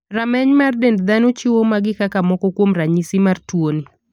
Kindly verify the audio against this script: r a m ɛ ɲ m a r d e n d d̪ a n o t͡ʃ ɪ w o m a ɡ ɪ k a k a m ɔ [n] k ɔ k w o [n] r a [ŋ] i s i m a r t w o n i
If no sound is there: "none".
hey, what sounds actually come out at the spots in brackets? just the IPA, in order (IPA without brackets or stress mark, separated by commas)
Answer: none, m, ɲ